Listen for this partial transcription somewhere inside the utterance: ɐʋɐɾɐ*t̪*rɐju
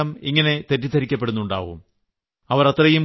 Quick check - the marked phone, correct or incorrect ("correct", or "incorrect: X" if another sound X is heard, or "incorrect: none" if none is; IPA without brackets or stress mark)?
correct